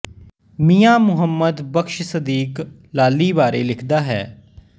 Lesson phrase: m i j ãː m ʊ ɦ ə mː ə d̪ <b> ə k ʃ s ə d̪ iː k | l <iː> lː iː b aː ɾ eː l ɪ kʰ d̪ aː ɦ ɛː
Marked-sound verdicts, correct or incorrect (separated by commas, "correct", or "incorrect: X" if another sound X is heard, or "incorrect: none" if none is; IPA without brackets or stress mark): correct, incorrect: aː